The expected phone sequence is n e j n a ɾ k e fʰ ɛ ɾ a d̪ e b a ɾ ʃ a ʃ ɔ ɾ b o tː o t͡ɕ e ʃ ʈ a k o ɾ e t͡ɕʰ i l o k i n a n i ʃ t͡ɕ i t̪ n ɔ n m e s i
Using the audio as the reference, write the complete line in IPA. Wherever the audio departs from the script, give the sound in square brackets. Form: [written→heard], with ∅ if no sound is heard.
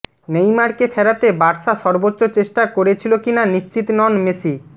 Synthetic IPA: n e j [n→m] a ɾ k e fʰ ɛ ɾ a [d̪→t̪] e b a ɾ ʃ a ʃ ɔ ɾ b o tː o t͡ɕ e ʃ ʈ a k o ɾ e t͡ɕʰ i l o k i n a n i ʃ t͡ɕ i t̪ n ɔ n m e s i